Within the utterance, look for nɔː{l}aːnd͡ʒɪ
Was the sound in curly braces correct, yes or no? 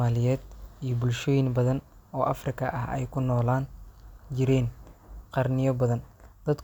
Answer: yes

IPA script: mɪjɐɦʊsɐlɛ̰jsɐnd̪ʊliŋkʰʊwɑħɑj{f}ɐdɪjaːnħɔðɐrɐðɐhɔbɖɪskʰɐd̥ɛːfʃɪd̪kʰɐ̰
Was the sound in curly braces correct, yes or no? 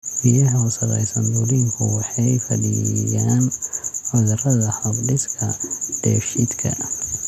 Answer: yes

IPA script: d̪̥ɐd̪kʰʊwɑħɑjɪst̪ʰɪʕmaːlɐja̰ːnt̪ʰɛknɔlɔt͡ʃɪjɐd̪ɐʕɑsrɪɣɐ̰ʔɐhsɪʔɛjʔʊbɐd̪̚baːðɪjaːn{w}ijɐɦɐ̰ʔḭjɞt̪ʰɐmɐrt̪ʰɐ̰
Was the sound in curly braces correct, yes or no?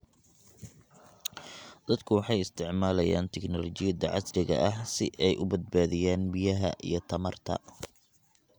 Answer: no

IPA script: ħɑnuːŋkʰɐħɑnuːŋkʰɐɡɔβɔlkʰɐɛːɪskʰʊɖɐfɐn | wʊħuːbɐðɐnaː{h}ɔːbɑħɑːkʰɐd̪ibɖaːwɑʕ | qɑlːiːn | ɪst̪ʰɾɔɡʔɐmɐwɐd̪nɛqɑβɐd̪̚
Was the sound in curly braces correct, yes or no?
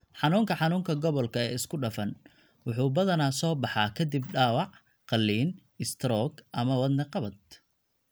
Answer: no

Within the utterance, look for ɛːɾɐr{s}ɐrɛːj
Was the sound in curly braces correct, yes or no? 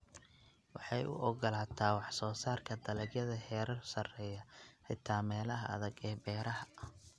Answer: yes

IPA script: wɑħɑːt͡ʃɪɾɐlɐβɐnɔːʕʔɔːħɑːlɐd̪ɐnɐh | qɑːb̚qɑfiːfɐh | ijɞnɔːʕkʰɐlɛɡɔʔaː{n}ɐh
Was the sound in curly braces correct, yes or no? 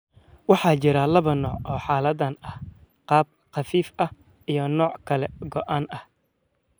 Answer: yes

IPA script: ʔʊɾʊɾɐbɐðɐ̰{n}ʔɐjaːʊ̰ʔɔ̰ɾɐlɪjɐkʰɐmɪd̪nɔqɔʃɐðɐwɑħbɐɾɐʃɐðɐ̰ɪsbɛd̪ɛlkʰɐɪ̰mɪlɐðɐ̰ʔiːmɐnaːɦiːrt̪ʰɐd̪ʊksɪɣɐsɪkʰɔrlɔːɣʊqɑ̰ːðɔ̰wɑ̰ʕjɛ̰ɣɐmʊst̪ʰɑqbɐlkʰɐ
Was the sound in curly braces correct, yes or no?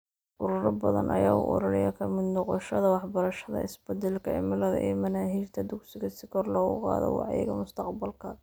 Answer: yes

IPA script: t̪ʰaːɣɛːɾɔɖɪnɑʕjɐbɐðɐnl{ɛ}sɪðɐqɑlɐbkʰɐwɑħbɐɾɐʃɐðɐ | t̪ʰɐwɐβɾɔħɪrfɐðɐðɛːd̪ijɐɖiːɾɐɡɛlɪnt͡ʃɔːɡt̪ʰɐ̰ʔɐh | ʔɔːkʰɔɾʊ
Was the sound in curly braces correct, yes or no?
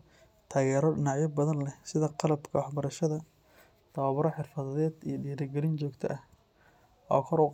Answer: yes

